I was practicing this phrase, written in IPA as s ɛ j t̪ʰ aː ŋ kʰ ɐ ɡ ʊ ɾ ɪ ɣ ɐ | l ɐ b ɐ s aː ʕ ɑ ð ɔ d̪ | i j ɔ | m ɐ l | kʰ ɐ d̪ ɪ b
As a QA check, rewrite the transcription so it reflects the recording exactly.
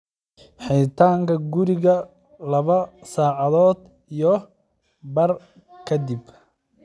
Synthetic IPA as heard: ħ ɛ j t̪ʰ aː ŋ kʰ ɐ ɡ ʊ ɾ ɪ ɣ ɐ | l ɐ β ɐ s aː ʕ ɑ ð ɔː d̪ | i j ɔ | b ɐ r | kʰ ɐ d̪ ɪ b